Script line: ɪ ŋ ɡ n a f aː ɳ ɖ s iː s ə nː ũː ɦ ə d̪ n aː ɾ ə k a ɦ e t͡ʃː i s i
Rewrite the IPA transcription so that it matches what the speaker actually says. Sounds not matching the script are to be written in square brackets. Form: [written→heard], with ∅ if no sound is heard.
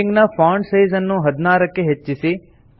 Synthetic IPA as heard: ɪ ŋ ɡ n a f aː ɳ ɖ s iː [s→z] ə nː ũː ɦ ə d̪ n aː ɾ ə k [a→e] ɦ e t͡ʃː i s i